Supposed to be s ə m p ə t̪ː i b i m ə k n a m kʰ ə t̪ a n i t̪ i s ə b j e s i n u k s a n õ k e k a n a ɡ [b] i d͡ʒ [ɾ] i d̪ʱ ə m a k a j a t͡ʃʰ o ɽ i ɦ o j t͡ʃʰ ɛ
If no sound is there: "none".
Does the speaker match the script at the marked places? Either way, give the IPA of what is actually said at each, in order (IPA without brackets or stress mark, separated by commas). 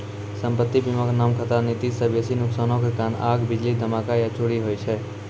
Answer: b, l